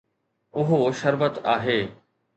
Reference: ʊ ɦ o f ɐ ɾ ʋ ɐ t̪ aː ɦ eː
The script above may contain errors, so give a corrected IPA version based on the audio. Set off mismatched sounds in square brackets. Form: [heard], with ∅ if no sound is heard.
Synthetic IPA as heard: ʊ ɦ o [ʃ] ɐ ɾ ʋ [ə] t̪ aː ɦ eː